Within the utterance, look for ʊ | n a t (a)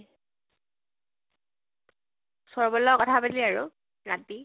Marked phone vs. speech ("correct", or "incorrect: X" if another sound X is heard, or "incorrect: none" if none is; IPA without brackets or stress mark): incorrect: i